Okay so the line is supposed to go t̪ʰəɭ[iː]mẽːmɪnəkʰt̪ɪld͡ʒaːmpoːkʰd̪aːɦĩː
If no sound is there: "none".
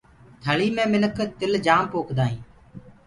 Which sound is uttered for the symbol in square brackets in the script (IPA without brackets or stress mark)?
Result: iː